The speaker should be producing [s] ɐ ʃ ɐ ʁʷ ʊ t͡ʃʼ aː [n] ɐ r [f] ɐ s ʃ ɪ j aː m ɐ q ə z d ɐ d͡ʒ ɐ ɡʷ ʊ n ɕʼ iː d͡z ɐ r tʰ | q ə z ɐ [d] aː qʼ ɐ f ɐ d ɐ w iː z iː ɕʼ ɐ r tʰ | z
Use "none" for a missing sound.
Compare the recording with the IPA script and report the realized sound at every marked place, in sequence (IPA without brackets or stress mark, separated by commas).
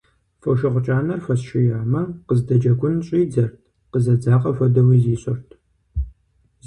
f, n, f, d͡z